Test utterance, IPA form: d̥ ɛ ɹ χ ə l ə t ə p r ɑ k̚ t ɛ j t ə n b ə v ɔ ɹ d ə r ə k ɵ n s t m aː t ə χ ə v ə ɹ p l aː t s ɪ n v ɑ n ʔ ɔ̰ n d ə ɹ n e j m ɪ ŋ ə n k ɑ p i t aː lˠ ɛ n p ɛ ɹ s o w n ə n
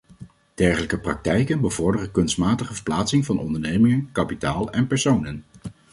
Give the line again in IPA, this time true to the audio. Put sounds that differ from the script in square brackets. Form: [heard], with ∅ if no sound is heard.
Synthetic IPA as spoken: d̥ ɛ ɹ χ ə l ə [k] ə p r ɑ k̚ t ɛ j [k] ə n b ə v ɔ ɹ d ə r ə k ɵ n s t m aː t ə χ ə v ə ɹ p l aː t s ɪ [ŋ] v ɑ n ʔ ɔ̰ n d ə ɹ n e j m ɪ ŋ ə n k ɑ p i t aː lˠ ɛ n p ɛ ɹ s o w n ə n